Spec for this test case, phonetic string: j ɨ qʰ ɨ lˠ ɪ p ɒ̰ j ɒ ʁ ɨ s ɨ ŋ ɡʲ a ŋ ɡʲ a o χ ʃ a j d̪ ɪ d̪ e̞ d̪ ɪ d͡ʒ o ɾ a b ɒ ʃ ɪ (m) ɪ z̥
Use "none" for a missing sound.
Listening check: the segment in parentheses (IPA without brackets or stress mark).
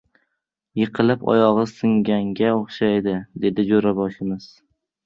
m